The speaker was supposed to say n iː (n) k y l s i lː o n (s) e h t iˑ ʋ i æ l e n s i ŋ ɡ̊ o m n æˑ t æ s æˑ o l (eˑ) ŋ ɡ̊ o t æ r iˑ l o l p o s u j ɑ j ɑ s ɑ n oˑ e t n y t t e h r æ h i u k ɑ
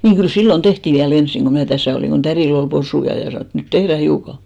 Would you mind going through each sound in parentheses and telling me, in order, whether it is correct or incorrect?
incorrect: ŋ, incorrect: t, incorrect: iˑ

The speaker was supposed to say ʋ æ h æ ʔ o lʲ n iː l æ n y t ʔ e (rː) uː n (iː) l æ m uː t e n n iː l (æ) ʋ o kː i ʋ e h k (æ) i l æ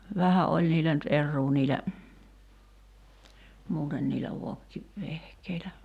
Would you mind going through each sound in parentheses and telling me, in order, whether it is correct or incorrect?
correct, correct, correct, incorrect: e

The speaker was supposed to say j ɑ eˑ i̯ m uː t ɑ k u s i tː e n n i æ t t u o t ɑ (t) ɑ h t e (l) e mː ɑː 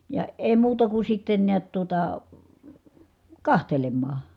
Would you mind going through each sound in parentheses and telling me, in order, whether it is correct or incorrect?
incorrect: k, correct

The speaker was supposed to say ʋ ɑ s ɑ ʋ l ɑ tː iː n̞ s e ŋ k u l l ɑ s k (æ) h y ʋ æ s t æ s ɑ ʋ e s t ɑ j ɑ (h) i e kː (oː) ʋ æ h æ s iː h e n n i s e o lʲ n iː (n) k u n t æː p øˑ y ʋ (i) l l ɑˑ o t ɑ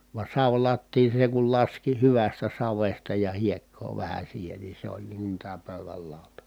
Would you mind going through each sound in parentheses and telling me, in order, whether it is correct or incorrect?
incorrect: i, correct, correct, incorrect: ŋ, incorrect: æ

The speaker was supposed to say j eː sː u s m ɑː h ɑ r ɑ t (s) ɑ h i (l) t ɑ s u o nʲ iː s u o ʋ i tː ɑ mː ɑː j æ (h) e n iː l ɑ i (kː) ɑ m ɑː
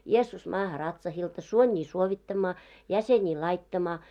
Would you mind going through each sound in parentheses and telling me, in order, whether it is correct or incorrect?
correct, correct, incorrect: s, incorrect: tː

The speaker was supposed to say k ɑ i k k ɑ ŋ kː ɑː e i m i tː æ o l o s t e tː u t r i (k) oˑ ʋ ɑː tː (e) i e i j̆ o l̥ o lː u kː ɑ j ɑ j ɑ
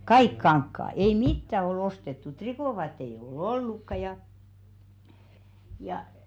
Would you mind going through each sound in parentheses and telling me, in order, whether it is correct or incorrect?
correct, correct

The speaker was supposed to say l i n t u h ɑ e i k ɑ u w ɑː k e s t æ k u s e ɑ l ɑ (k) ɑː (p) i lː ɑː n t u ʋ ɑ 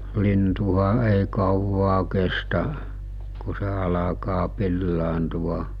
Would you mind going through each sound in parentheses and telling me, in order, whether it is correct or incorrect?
correct, correct

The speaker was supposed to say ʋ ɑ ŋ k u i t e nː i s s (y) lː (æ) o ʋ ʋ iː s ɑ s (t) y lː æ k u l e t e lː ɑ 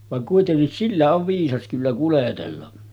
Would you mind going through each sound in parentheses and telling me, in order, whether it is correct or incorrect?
incorrect: i, correct, incorrect: k

